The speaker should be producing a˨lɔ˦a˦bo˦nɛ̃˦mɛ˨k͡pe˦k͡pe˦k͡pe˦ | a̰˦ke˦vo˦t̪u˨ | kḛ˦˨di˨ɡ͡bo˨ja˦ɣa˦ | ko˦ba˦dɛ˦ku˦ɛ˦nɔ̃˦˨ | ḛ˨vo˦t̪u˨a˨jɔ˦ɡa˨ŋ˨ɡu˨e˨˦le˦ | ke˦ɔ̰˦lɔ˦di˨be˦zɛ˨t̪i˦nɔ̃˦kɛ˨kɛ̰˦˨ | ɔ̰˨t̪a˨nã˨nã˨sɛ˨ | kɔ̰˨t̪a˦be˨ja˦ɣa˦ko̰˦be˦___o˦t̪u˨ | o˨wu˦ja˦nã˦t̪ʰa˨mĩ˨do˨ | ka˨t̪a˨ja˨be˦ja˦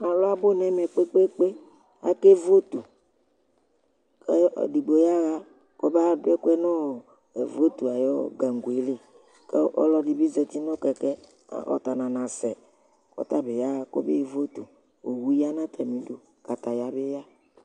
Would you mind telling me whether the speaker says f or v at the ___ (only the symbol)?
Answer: v